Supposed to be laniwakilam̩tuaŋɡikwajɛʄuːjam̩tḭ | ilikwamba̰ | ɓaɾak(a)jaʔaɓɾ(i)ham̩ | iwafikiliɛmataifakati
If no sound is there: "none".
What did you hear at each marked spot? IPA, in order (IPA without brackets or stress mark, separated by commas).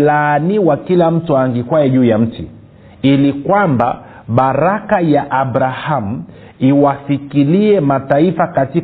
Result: a, a